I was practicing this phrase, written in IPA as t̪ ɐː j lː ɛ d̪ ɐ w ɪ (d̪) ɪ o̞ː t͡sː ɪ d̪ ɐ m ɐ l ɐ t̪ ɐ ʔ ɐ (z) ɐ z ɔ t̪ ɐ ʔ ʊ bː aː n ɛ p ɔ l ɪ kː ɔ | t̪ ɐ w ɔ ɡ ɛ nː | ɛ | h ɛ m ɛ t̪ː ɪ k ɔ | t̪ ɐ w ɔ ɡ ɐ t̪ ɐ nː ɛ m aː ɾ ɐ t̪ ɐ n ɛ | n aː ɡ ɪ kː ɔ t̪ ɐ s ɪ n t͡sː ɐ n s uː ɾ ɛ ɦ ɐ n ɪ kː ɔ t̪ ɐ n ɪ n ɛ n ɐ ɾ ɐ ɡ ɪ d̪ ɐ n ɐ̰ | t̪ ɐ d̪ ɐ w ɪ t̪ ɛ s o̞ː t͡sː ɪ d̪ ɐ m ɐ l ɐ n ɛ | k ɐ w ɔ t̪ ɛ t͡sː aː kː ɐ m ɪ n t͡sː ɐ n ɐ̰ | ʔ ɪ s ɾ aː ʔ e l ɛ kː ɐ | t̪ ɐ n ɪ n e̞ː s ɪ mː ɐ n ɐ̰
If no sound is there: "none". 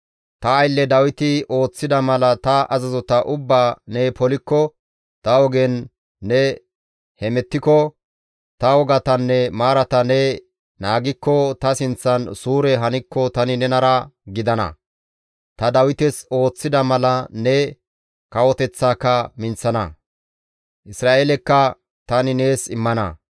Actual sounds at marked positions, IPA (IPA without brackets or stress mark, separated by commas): t̪, z